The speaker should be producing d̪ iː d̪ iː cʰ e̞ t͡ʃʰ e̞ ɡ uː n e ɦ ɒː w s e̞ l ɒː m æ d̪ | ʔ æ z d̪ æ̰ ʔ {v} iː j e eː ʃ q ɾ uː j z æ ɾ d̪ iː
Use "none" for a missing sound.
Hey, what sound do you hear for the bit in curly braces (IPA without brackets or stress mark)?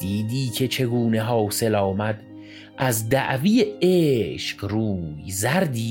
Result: v